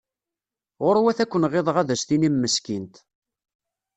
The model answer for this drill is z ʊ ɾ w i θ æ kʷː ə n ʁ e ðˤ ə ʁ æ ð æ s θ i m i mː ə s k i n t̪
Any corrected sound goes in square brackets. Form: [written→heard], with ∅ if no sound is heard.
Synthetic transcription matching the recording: [z→ʁ] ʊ ɾ w [i→æ] θ æ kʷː ə n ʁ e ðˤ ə ʁ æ ð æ s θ i [m→n] i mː ə s k i n t̪